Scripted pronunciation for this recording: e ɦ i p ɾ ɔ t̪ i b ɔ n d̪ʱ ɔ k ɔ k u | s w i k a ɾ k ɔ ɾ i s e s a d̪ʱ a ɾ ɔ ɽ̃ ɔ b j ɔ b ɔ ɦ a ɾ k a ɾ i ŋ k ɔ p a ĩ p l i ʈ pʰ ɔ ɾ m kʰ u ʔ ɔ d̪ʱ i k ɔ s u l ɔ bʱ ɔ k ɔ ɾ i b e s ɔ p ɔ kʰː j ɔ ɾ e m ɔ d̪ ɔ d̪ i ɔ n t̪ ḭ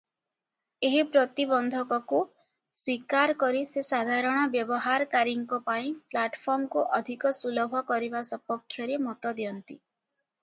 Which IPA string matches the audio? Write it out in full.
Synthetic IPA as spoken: e ɦ i p ɾ ɔ t̪ i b ɔ n d̪ʱ ɔ k ɔ k u | s w i k a ɾ k ɔ ɾ i s e s a d̪ʱ a ɾ ɔ ɽ̃ ɔ b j ɔ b ɔ ɦ a ɾ k a ɾ i ŋ k ɔ p a ĩ p l a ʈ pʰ ɔ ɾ m k u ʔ ɔ d̪ʱ i k ɔ s u l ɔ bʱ ɔ k ɔ ɾ i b a s ɔ p ɔ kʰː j ɔ ɾ e m ɔ t̪ ɔ d̪ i ɔ n t̪ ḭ

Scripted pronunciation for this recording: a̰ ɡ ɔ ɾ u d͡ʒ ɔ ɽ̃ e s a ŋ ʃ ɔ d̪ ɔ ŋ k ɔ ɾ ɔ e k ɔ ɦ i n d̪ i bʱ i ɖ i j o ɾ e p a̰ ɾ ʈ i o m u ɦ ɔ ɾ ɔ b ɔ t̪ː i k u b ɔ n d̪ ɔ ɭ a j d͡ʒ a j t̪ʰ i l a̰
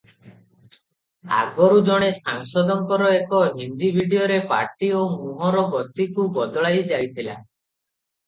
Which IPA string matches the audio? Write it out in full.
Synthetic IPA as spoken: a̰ ɡ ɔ ɾ u d͡ʒ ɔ ɽ̃ e s a ŋ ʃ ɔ d̪ ɔ ŋ k ɔ ɾ ɔ e k ɔ ɦ i n d̪ i bʱ i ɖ i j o ɾ e p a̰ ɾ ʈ i o m u ɦ ɔ ɾ ɔ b ɔ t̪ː i k u b ɔ d̪ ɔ ɭ a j d͡ʒ a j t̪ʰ i l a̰

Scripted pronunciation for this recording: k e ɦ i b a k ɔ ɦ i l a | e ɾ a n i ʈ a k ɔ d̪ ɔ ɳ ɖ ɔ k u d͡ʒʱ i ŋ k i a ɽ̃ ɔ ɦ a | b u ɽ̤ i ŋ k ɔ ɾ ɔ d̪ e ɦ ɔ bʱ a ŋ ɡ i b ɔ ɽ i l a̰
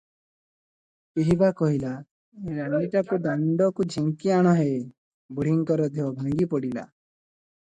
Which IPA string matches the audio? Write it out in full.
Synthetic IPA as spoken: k e ɦ i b a k ɔ ɦ i l a | e ɾ a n i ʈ a k u d̪ ɔ ɳ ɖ ɔ k u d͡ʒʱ i ŋ k i a ɽ̃ ɔ ɦ e | b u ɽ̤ i ŋ k ɔ ɾ ɔ d̪ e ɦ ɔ bʱ a ŋ ɡ i p ɔ ɽ i l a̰

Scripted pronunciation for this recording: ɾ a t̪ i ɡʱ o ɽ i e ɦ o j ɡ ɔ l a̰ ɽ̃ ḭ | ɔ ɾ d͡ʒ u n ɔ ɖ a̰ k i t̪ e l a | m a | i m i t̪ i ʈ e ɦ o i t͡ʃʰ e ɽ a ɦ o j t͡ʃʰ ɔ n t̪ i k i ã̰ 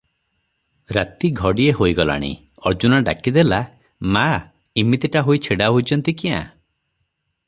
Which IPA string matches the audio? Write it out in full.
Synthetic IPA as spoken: ɾ a t̪ i ɡʱ ɔ ɽ i e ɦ o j ɡ ɔ l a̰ ɽ̃ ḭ | ɔ ɾ d͡ʒ u n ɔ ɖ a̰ k i d̪ e l a | m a | i m i t̪ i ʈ a ɦ o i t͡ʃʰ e ɽ a ɦ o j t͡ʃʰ ɔ n t̪ i k i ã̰

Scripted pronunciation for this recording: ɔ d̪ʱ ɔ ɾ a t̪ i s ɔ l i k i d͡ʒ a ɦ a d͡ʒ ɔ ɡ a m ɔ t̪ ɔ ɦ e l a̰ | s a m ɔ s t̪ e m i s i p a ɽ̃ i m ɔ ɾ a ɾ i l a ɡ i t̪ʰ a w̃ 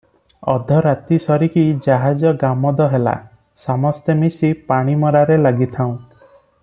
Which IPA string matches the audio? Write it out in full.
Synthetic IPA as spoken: ɔ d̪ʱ ɔ ɾ a t̪ i s ɔ ɾ i k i d͡ʒ a ɦ a d͡ʒ ɔ ɡ a m ɔ d̪ ɔ ɦ e l a̰ | s a m ɔ s t̪ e m i s i p a ɽ̃ i m ɔ ɾ a ɾ e l a ɡ i t̪ʰ a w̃

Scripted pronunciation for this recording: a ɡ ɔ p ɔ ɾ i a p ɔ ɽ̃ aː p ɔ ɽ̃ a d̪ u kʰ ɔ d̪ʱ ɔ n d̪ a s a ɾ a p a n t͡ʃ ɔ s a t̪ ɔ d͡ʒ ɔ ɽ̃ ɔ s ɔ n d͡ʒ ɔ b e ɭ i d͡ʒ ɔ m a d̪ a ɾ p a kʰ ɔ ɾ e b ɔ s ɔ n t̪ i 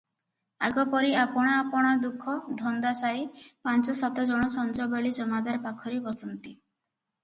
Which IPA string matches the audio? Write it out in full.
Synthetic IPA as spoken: a ɡ ɔ p ɔ ɾ i a p ɔ ɽ̃ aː p ɔ ɽ̃ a d̪ u kʰ ɔ d̪ʱ ɔ n d̪ a s a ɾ i p a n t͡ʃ ɔ s a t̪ ɔ d͡ʒ ɔ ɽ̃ ɔ s ɔ n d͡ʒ ɔ b e ɭ i d͡ʒ ɔ m a d̪ a ɾ p a kʰ ɔ ɾ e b ɔ s ɔ n t̪ i

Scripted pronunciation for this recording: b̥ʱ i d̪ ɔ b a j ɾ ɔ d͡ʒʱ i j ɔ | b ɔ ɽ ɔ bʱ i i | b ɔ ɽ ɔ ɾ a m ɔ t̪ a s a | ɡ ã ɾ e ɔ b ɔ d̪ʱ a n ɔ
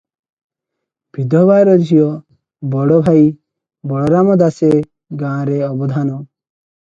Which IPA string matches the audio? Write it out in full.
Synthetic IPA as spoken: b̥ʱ i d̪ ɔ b a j ɾ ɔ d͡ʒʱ i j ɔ | b ɔ ɽ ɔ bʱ a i | b ɔ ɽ ɔ ɾ a m ɔ d̪ a s e | ɡ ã ɾ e ɔ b ɔ d̪ʱ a n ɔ

